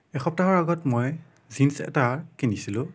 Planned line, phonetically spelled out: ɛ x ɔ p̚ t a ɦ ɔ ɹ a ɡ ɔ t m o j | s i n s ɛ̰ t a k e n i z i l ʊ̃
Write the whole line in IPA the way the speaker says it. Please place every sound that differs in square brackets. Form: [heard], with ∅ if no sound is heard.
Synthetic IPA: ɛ x ɔ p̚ t a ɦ ɔ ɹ a ɡ ɔ t m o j | [z] i n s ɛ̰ t a k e n i [s] i l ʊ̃